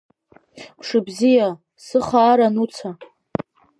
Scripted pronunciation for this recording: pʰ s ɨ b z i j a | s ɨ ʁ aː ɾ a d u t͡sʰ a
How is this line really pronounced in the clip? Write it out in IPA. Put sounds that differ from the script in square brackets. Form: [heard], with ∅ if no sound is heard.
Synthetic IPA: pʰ [ʂ] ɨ b z i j a | s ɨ [χ] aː ɾ a [n] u t͡sʰ a